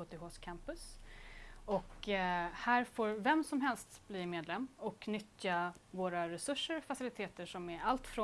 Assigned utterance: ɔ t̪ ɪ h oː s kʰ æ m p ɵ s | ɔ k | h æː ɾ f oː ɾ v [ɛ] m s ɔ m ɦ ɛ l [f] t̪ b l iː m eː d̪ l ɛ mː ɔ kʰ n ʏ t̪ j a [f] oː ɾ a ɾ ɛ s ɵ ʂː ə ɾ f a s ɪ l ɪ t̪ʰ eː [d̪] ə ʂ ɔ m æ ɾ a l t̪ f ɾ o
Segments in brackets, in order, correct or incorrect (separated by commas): correct, incorrect, incorrect, incorrect